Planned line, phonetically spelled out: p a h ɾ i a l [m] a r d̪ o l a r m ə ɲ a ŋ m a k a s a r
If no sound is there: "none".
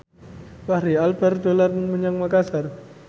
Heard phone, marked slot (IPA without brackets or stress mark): b